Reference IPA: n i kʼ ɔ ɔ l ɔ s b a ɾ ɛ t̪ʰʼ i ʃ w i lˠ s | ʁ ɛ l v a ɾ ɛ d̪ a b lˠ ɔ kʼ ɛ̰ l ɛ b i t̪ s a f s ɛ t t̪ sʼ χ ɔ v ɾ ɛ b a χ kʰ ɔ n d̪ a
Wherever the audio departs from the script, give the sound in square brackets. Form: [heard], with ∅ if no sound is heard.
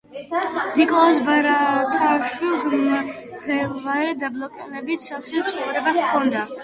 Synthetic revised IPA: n i kʼ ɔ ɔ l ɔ s b a ɾ [a] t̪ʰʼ [a] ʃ w i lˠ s | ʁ ɛ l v a ɾ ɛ d̪ a b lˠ ɔ kʼ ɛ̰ l ɛ b i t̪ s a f s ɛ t t̪ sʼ χ ɔ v ɾ ɛ b a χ kʰ ɔ n d̪ a